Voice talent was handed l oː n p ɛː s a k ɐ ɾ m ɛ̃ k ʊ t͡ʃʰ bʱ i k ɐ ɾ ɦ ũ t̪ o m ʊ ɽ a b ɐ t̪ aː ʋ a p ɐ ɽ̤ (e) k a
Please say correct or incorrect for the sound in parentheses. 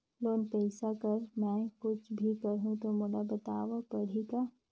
incorrect: i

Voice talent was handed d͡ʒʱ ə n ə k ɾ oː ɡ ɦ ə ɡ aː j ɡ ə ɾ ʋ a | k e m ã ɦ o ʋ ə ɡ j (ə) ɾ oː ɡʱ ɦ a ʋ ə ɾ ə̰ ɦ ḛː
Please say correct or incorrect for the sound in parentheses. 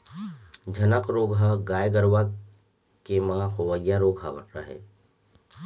incorrect: a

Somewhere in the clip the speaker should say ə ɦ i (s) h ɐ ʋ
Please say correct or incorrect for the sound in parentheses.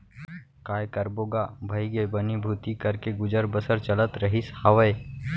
correct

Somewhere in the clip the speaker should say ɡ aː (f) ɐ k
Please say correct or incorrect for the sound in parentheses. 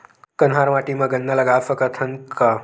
correct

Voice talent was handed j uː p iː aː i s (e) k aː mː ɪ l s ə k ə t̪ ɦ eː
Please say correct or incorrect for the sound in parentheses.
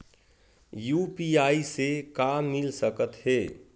correct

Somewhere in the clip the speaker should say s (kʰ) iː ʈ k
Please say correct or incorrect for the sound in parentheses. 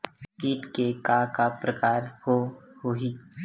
incorrect: k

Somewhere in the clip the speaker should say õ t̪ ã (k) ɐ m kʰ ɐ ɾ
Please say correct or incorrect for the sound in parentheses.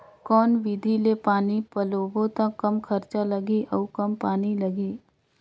correct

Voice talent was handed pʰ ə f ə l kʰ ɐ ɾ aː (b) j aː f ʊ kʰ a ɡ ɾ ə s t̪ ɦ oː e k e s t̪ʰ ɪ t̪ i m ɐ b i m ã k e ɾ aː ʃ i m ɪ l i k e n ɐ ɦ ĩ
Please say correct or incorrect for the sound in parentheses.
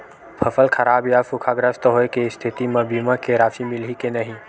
correct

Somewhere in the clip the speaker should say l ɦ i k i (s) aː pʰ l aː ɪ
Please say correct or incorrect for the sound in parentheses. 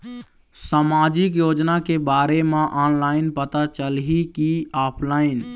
incorrect: none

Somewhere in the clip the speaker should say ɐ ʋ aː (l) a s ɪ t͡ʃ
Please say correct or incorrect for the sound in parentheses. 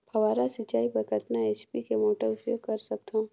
incorrect: ɾ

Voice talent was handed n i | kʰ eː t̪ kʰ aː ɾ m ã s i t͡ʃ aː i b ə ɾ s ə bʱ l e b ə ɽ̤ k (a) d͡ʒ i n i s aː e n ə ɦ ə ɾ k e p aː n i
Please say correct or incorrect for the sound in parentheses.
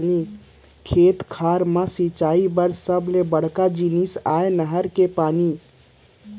correct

